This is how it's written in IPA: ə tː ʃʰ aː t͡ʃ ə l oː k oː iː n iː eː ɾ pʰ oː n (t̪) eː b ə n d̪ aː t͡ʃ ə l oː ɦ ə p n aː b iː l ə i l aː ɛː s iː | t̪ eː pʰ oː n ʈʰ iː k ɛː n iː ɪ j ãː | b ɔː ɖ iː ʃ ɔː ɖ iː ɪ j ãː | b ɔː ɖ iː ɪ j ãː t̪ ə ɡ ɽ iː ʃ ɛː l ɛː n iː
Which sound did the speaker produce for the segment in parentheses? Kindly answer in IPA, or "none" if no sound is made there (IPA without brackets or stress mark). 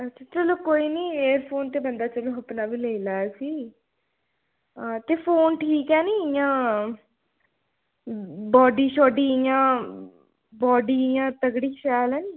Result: t̪